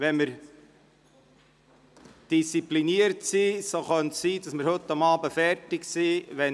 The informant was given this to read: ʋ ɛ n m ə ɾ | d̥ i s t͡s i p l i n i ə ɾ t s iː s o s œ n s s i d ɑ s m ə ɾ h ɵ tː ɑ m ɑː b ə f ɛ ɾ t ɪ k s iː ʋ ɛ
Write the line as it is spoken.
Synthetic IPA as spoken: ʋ ɛ n m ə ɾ | d̥ i s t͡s i p l i n i ə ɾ t s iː s o χ œ n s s iː d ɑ s m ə ɾ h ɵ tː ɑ m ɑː b ə f ɛ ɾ t ɪ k s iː ʋ ɛ